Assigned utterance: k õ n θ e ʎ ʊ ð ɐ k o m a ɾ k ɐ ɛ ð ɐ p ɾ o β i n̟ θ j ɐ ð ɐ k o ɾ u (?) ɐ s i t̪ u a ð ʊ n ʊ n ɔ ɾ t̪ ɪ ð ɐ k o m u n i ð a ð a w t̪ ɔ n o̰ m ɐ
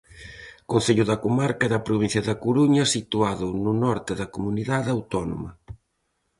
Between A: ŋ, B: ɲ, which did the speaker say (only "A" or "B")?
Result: B